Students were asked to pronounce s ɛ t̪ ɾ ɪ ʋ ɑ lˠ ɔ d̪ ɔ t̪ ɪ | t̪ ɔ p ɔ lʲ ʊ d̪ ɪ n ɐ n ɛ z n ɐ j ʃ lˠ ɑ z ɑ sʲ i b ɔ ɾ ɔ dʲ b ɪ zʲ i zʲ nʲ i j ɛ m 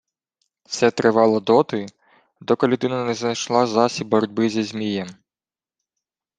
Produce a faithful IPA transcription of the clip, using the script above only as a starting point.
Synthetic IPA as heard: s ɛ t̪ ɾ ɪ ʋ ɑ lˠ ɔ d̪ ɔ t̪ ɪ | d̪ ɔ k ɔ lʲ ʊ d̪ ɪ n ɐ n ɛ z n ɐ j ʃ lˠ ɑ z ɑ sʲ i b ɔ ɾ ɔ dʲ b ɪ zʲ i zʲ mʲ i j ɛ m